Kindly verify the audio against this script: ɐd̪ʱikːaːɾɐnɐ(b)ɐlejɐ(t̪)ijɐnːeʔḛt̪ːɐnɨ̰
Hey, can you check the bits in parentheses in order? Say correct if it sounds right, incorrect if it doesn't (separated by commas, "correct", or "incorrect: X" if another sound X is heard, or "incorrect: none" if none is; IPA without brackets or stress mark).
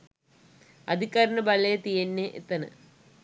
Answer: correct, correct